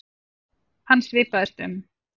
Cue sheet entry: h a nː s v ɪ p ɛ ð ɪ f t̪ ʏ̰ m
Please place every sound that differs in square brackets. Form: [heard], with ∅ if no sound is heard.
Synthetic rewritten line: h a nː s v [ɪː] p [a] ð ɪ [s] t̪ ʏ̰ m